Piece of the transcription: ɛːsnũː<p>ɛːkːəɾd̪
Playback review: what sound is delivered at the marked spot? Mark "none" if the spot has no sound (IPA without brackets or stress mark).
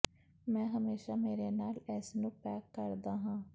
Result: p